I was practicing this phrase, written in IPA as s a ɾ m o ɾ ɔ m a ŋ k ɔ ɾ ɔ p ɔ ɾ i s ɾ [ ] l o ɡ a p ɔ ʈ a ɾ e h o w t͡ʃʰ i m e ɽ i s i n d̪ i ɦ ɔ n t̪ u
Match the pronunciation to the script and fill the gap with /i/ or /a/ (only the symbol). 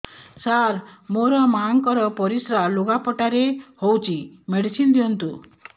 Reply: a